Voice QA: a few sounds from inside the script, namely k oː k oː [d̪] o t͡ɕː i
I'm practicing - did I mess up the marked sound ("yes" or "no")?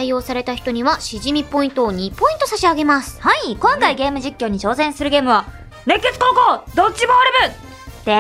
no